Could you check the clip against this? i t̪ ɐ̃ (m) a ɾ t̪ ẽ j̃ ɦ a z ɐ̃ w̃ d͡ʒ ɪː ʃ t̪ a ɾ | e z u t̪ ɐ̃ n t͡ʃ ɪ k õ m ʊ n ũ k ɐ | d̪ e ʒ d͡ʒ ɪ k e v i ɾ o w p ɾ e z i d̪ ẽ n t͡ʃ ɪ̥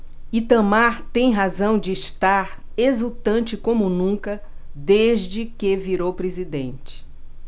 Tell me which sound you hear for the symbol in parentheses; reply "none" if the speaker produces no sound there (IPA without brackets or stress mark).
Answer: m